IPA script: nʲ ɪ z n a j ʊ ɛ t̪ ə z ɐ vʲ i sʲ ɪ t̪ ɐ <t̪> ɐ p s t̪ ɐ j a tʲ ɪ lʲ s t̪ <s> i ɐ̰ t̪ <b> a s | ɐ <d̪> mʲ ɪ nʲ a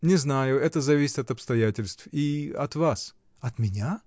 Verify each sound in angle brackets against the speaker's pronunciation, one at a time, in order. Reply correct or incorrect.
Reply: correct, incorrect: f, incorrect: v, incorrect: t̪

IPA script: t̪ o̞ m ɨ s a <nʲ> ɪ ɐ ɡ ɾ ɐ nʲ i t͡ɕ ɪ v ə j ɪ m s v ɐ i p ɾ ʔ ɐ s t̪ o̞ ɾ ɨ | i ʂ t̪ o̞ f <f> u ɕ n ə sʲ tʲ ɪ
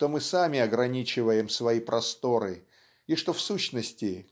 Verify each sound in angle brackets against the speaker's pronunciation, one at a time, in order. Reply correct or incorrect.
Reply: incorrect: mʲ, incorrect: s

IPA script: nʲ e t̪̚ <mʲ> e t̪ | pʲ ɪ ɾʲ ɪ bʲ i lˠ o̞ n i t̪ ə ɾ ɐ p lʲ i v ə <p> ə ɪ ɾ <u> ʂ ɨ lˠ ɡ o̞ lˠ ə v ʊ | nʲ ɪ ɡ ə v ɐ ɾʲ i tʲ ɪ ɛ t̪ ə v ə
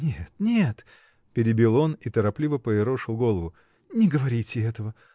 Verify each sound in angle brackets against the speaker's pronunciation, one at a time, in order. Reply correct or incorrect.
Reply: incorrect: nʲ, correct, incorrect: o

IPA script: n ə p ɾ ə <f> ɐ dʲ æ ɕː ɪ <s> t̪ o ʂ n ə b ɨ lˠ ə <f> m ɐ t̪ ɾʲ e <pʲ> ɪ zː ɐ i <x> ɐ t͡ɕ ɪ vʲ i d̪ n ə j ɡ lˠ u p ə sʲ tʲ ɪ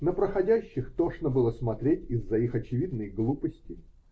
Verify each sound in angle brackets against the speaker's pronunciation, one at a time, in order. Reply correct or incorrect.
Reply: incorrect: x, incorrect: x, incorrect: s, incorrect: tʲ, correct

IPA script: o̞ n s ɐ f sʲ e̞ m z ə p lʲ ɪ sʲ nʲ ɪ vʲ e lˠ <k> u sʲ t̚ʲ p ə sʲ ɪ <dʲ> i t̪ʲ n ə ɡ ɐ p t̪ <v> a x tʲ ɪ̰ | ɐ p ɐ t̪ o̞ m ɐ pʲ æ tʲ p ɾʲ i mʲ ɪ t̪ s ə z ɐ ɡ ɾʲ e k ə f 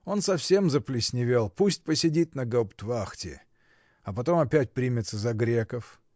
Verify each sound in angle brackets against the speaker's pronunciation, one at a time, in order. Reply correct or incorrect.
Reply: incorrect: p, correct, correct

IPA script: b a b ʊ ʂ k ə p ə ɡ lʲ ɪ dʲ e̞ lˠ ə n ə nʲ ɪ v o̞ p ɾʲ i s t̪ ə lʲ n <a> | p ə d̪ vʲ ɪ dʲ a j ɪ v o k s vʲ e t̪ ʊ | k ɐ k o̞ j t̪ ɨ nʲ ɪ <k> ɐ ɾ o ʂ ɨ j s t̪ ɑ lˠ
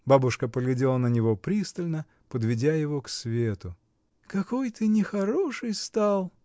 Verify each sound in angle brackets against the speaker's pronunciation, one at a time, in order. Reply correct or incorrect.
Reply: incorrect: ə, incorrect: x

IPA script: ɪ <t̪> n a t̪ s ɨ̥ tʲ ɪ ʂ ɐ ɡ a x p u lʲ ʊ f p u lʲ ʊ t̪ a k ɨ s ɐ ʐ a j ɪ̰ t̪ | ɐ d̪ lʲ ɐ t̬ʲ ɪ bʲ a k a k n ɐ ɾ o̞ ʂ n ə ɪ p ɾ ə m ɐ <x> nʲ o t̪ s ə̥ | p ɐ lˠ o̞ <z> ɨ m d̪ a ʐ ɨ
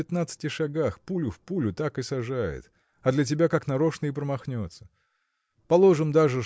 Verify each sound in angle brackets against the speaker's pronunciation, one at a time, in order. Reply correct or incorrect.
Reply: correct, correct, incorrect: ʐ

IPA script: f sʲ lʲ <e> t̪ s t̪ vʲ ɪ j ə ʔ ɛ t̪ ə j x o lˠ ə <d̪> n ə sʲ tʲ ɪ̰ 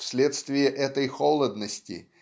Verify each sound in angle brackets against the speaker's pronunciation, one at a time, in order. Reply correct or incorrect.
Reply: correct, correct

